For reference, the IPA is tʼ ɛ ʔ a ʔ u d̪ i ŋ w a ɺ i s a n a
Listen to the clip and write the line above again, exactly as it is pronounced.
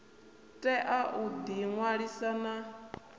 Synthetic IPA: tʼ ɛ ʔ a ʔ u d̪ i ŋ w a ɺ i s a n a